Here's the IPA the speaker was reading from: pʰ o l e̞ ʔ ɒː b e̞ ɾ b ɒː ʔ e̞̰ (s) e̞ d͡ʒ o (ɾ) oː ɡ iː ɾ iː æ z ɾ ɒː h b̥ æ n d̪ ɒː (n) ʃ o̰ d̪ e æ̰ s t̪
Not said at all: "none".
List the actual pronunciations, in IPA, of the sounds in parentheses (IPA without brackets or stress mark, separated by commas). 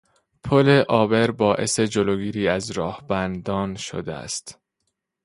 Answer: s, l, n